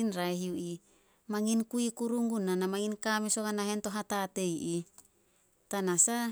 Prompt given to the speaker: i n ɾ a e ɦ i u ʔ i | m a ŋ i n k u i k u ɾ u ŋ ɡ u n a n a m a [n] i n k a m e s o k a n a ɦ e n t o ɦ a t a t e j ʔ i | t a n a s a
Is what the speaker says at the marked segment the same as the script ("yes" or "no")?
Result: no